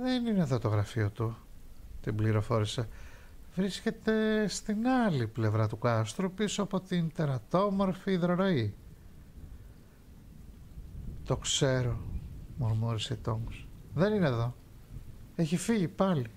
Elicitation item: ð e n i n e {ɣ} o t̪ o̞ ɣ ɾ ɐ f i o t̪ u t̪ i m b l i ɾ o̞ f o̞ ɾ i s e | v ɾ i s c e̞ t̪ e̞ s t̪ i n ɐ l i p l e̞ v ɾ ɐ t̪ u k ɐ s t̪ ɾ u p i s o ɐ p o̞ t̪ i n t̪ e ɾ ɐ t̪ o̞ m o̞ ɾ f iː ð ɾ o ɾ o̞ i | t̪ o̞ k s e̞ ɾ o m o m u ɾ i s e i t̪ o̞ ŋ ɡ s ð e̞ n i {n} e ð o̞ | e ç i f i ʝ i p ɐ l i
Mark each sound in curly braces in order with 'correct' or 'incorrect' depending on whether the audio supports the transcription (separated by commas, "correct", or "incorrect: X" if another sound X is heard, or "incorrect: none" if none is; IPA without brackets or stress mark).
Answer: incorrect: ð, correct